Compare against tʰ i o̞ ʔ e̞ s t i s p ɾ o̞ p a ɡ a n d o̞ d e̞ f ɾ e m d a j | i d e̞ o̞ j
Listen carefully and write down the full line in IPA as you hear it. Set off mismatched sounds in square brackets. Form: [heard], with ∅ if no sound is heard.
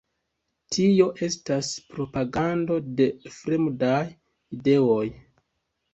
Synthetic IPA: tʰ i o̞ ʔ e̞ s t [a] s p ɾ o̞ p a ɡ a n d o̞ d e̞ f ɾ e m d a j | i d e̞ o̞ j